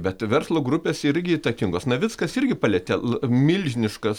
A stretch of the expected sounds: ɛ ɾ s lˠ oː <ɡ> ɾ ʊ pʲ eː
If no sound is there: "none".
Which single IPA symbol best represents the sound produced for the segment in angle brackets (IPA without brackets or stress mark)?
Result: ɡ